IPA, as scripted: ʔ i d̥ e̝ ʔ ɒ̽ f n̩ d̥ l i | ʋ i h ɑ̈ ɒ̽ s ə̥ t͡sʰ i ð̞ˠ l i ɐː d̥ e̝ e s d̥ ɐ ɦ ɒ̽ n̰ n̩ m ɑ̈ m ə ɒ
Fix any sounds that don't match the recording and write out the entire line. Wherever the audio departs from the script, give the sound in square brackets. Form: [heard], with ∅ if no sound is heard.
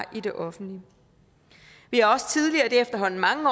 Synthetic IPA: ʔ i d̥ e̝ ʔ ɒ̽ f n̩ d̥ l i | ʋ i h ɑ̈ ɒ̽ s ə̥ t͡sʰ i ð̞ˠ l i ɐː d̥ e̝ e [f] d̥ ɐ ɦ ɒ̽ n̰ n̩ m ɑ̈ [ŋ] ə ɒ